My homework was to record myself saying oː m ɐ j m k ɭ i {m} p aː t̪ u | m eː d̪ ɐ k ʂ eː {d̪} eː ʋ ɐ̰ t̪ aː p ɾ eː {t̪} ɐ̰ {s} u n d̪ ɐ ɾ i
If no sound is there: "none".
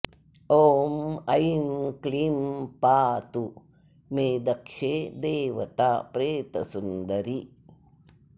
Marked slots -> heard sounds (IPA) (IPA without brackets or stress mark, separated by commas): m, d̪, t̪, s